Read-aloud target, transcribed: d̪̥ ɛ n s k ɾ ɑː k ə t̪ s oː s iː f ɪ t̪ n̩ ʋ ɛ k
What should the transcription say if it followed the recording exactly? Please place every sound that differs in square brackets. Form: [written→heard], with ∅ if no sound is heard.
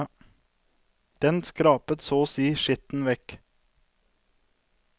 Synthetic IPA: d̪̥ ɛ n s k ɾ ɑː [k→p] ə t̪ s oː s iː [f→ʃ] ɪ t̪ n̩ ʋ ɛ k